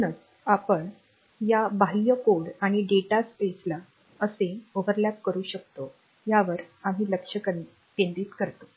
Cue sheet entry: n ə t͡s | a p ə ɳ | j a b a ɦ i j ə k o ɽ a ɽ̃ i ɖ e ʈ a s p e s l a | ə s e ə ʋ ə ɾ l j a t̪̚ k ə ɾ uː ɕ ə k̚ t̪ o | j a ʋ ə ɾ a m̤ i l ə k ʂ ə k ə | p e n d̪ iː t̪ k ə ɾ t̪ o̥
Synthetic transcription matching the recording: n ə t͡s | a p ə ɳ | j a b a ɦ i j ə k o ɽ a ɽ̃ i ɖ e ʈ a s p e s l a | ə s e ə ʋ ə ɾ l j a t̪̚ k ə ɾ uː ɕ ə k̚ t̪ o | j a ʋ ə ɾ a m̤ i l ə k ʂ ə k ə | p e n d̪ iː t̪ k ə ɾ t̪ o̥